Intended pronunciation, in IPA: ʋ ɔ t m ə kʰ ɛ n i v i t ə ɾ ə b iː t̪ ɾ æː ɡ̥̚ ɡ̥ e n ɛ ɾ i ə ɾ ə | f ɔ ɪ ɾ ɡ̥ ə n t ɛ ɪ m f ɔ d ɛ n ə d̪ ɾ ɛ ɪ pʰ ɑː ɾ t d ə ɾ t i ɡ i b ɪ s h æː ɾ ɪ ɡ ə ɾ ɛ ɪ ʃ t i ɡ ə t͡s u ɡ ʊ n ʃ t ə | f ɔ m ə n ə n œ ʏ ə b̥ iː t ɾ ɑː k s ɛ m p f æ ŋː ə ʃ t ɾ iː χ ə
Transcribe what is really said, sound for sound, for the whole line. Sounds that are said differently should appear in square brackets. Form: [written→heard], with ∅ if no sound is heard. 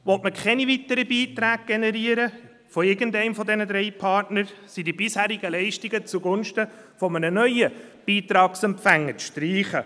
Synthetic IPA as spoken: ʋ ɔ t m ə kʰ ɛ n i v i t ə ɾ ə b iː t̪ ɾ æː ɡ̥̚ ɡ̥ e n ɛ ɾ i ə ɾ ə | f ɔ ɪ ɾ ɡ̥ ə n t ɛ ɪ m f ɔ d ɛ n ə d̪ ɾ ɛ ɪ pʰ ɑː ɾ t [d→n] ə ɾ [t→s] i [ɡ→d] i b ɪ s h æː ɾ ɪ ɡ ə [ɾ→l] ɛ ɪ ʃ t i ɡ ə t͡s u ɡ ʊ n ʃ t ə | f ɔ m ə n ə n œ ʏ ə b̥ iː t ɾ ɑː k s ɛ m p f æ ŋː ə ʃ t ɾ iː χ ə

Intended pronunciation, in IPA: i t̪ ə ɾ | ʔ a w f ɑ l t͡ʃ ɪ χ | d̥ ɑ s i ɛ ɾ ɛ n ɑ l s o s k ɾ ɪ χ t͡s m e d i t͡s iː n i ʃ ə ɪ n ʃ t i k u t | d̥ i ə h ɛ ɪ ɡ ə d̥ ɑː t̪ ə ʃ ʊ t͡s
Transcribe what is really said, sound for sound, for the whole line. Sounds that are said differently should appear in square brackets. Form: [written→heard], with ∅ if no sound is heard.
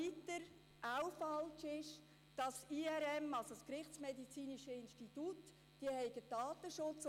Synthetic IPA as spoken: i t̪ ə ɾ | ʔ a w f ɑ l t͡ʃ ɪ [χ→ʃ] | d̥ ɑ s i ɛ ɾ ɛ [n→m] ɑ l s o s k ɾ ɪ χ t͡s m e d i t͡s iː n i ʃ ə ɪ n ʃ t i [k→t] u t | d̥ i ə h ɛ ɪ ɡ ə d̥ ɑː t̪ ə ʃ ʊ t͡s

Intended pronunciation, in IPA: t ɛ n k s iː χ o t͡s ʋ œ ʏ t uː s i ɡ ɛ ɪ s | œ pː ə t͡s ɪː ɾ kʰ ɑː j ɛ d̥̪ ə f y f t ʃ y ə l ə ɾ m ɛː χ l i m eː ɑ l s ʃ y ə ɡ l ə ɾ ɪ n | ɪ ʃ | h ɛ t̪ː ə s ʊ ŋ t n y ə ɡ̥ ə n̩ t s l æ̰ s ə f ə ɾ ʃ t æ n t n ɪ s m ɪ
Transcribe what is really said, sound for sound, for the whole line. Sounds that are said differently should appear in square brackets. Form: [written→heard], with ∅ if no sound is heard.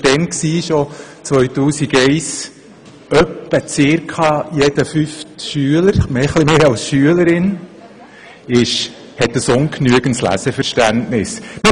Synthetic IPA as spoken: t ɛ n k s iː [χ→ʃ] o t͡s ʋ œ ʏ t uː s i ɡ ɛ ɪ s | œ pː ə t͡s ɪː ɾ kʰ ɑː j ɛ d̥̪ ə f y f t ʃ y ə l ə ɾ m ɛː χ l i m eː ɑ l s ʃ y ə [ɡ→∅] l ə ɾ ɪ n | ɪ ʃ | h ɛ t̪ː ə s ʊ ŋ [t→k] n y ə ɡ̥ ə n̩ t s l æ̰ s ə f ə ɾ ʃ t æ n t n ɪ s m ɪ

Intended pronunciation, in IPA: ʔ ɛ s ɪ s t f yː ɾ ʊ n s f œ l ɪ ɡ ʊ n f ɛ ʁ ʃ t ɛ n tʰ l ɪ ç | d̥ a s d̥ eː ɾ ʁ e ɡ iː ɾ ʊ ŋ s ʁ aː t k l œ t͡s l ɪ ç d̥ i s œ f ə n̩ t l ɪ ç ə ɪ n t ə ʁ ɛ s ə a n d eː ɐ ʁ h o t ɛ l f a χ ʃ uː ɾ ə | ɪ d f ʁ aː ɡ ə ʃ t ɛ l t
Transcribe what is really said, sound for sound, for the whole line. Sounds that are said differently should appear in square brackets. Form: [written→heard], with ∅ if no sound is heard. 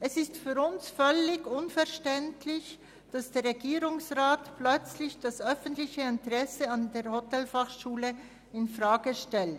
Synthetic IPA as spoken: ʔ ɛ s ɪ s t f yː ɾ ʊ n s f œ l ɪ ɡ ʊ n f ɛ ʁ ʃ t ɛ n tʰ l ɪ ç | d̥ a s d̥ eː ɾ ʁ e ɡ iː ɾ ʊ ŋ s ʁ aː t [k→p] l œ t͡s l ɪ ç d̥ [i→a] s œ f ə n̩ t l ɪ ç ə ɪ n t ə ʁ ɛ s ə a n d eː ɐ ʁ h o t ɛ l f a χ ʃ uː [ɾ→l] ə | ɪ [d→n] f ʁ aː ɡ ə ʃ t ɛ l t

